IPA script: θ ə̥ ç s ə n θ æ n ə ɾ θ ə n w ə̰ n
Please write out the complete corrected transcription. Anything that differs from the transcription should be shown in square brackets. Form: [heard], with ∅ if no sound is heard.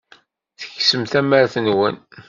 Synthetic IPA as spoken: θ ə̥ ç s ə [m] θ æ [m] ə ɾ θ ə n w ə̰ n